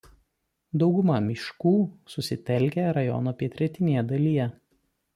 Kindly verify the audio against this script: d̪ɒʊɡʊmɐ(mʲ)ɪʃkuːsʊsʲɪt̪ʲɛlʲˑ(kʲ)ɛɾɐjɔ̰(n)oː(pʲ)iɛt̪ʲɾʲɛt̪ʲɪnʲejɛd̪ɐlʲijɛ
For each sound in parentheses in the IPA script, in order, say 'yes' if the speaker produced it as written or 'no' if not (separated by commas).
yes, yes, yes, yes